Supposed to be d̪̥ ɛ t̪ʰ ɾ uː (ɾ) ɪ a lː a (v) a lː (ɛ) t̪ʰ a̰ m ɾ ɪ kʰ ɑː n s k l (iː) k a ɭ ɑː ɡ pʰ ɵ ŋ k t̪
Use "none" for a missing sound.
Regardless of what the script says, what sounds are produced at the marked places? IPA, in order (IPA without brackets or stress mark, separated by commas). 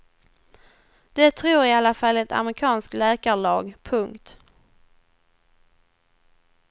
ɾ, f, ɛ, ɛː